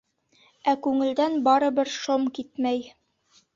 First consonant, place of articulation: velar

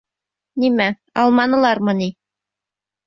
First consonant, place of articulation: alveolar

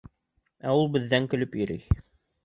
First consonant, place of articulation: alveolar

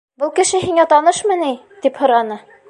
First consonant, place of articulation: labial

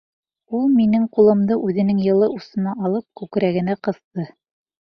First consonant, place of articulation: alveolar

